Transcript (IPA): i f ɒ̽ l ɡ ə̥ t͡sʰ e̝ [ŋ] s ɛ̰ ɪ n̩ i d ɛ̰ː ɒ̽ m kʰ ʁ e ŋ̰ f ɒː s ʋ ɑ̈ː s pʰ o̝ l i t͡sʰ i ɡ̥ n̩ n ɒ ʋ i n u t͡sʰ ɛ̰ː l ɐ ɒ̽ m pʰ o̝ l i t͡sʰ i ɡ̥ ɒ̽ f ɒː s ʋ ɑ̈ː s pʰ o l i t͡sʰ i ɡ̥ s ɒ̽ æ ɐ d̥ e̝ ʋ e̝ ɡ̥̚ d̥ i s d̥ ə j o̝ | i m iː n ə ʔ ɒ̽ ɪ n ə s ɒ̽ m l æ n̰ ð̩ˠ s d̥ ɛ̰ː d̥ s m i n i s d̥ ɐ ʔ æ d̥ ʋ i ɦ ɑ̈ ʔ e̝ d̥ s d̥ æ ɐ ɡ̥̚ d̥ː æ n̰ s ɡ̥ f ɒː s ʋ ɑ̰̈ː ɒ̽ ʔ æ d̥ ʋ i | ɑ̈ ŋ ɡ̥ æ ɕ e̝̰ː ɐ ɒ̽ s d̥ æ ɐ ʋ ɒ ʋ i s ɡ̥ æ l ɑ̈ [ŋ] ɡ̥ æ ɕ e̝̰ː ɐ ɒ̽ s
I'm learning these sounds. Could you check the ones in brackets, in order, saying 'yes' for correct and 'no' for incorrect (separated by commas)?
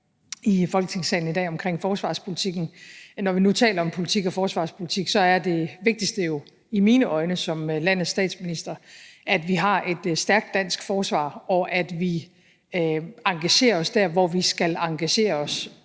yes, yes